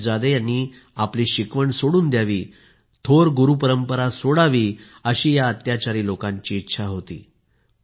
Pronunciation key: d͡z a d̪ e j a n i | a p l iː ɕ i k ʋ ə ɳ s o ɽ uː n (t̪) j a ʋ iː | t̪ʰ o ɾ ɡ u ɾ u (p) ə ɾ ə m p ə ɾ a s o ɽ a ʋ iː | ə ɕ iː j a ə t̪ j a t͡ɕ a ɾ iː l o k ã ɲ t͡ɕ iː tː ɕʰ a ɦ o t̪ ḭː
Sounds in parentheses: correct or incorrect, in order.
incorrect: d̪, correct

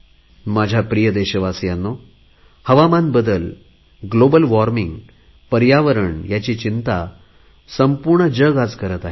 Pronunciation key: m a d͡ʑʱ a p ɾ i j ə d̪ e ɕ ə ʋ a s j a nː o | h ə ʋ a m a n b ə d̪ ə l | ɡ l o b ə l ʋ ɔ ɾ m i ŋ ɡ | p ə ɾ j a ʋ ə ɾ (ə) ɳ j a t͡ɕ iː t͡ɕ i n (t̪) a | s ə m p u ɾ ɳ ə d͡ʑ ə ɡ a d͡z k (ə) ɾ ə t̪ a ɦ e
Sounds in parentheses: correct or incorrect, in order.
correct, correct, correct

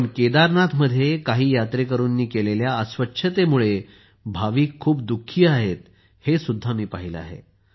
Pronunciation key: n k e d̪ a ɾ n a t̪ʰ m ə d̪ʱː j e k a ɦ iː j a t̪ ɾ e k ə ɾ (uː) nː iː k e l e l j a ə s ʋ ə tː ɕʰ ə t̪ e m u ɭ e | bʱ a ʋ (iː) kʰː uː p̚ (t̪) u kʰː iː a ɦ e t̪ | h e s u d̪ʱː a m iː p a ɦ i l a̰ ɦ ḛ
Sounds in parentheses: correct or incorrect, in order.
correct, correct, incorrect: d̪

